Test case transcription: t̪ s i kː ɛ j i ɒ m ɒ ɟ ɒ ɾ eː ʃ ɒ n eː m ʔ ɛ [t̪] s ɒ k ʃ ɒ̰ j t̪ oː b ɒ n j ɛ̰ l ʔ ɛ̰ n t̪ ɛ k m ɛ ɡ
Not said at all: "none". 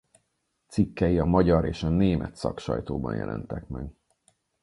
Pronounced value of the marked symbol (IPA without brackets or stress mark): t̪